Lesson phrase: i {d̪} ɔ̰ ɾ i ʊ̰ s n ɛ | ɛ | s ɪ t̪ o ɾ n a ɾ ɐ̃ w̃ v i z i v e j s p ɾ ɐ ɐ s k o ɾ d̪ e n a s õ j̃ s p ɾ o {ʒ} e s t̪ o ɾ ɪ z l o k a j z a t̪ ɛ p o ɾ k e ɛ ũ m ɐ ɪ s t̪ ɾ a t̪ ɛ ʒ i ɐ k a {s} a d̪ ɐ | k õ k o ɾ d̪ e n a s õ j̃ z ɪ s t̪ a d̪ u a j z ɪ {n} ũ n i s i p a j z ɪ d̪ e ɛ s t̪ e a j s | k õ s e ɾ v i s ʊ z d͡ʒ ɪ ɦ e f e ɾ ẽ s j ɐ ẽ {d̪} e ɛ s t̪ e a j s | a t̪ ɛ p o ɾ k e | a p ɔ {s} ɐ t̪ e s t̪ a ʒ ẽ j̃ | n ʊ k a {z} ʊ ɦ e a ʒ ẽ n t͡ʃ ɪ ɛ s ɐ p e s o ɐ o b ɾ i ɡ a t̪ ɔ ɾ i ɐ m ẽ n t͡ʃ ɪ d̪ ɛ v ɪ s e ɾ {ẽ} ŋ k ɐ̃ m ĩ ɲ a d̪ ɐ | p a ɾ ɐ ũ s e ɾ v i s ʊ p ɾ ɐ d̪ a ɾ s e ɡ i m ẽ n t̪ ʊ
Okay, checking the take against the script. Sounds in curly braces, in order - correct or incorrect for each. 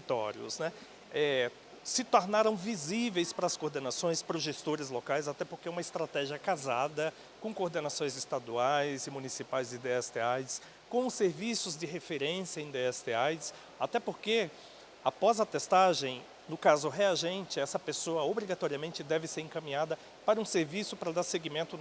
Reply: incorrect: t̪, correct, incorrect: z, incorrect: m, correct, incorrect: z, correct, correct

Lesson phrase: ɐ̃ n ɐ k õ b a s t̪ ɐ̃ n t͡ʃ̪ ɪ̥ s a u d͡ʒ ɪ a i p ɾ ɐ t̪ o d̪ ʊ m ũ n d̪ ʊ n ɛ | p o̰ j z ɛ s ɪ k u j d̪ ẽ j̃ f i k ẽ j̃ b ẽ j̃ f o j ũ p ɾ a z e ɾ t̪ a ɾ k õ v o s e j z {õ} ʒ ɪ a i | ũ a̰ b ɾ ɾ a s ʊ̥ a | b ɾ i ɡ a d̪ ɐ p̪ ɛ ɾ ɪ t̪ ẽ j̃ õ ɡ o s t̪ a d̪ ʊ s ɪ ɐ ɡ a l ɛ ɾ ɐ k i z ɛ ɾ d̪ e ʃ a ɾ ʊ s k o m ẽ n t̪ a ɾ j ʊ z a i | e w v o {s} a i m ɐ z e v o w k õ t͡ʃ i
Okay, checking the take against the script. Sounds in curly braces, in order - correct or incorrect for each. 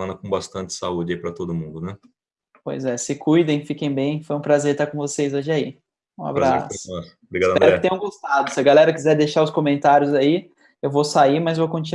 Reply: incorrect: o, correct

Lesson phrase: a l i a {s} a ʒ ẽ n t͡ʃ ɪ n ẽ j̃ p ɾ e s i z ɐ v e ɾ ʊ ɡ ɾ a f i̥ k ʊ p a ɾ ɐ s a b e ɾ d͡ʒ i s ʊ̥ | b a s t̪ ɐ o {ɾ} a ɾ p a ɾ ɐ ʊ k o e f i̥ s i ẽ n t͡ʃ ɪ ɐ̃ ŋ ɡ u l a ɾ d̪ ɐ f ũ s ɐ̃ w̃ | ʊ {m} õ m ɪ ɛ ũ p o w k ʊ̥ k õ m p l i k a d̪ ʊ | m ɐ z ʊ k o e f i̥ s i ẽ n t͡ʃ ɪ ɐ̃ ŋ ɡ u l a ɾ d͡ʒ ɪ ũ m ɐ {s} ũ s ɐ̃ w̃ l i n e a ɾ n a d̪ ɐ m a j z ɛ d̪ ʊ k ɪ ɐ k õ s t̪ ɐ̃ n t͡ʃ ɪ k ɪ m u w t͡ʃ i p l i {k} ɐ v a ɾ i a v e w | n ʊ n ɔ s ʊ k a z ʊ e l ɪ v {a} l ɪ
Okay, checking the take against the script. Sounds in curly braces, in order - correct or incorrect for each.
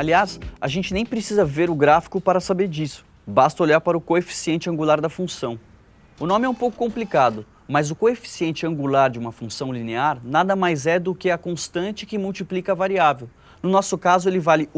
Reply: correct, incorrect: ʎ, incorrect: n, incorrect: f, correct, correct

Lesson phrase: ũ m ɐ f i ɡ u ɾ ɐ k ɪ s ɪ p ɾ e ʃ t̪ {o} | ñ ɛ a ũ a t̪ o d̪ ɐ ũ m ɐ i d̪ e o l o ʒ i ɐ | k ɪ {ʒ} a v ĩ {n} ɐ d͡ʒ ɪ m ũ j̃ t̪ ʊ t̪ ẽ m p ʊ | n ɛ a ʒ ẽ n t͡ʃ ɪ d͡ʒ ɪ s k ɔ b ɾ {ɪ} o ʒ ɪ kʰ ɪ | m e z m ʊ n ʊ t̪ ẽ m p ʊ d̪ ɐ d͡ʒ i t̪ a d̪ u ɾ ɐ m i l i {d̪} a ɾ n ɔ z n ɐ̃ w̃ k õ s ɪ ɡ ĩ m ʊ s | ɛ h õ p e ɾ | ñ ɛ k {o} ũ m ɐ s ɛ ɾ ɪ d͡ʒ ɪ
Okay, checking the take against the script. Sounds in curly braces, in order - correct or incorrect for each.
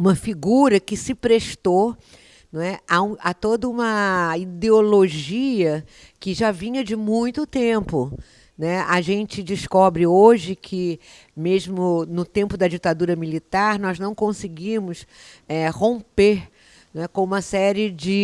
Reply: correct, correct, incorrect: ɲ, correct, incorrect: t̪, incorrect: õ

